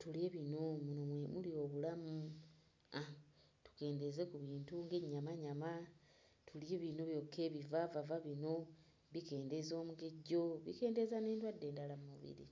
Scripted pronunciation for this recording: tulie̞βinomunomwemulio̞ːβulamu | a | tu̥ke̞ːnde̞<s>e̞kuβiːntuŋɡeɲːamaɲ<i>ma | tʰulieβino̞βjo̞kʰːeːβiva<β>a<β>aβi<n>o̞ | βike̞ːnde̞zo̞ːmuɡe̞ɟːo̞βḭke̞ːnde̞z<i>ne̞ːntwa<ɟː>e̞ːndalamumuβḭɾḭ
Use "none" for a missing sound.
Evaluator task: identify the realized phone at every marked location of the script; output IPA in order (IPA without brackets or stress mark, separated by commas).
z, a, v, v, n, a, dː